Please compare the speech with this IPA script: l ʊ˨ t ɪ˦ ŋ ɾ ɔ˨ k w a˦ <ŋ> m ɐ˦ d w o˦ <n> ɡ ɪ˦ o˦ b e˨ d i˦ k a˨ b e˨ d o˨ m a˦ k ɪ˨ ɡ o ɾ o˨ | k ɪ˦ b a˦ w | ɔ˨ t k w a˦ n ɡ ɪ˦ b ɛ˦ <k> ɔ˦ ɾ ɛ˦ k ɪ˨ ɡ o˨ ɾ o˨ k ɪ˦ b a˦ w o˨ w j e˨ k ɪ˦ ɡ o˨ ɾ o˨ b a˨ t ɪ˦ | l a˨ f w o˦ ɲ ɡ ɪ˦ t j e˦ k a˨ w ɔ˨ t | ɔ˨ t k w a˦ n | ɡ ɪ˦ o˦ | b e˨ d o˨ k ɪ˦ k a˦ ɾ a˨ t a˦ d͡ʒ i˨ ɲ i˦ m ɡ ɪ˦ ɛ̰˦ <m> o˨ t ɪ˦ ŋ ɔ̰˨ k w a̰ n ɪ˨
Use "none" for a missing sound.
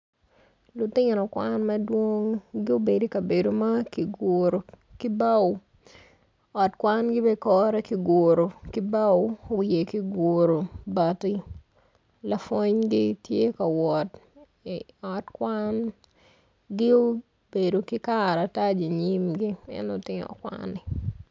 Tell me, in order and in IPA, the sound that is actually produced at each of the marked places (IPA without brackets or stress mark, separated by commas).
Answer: n, ŋ, k, n